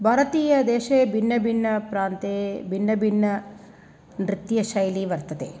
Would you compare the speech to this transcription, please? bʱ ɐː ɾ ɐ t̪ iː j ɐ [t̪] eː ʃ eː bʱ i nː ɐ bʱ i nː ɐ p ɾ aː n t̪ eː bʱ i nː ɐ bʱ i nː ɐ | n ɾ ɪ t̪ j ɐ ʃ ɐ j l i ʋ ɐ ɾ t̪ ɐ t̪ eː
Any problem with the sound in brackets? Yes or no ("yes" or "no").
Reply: yes